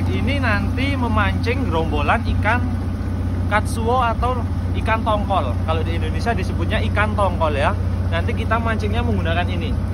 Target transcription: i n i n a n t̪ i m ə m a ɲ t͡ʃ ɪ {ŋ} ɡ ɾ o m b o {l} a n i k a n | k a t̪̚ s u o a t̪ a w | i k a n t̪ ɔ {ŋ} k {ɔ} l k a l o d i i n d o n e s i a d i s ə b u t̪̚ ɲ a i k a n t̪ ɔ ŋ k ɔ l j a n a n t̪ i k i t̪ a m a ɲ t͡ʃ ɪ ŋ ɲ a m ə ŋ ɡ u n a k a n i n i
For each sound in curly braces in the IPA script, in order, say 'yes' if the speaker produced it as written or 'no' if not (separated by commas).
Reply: yes, yes, yes, yes